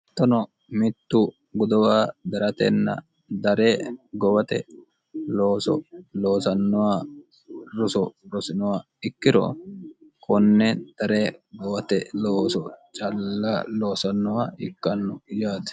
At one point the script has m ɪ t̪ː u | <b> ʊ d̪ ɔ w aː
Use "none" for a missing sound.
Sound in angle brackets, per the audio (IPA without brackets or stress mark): ɡ